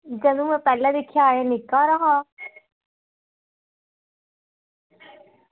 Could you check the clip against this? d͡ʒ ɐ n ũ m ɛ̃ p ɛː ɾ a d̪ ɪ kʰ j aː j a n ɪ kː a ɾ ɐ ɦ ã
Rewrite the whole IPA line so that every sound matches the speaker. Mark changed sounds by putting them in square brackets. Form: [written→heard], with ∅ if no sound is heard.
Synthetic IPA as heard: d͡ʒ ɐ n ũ m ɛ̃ p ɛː [ɾ→l] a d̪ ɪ kʰ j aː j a n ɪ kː a ɾ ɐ ɦ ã